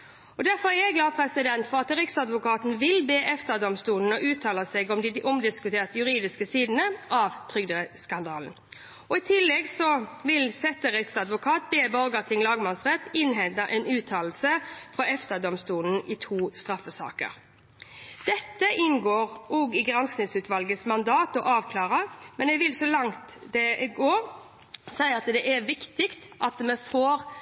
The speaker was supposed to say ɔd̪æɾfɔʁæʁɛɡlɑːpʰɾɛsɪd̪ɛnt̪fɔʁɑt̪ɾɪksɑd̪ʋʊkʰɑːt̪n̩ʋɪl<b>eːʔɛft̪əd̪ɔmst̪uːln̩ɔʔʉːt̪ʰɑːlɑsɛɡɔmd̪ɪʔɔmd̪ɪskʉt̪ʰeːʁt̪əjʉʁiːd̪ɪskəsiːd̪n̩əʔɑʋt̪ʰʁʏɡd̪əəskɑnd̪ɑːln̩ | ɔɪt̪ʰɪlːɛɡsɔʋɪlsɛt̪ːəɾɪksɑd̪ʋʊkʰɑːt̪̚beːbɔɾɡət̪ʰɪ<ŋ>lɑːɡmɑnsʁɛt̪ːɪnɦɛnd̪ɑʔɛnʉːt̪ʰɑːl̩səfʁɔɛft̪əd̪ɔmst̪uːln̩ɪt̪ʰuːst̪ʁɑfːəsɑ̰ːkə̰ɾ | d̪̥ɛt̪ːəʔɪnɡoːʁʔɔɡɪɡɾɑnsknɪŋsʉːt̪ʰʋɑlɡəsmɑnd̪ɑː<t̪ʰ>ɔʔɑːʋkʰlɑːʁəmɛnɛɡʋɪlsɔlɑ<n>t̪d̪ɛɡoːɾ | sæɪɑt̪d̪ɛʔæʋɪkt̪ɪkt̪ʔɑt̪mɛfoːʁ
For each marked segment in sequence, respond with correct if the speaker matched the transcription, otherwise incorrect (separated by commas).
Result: correct, correct, incorrect, incorrect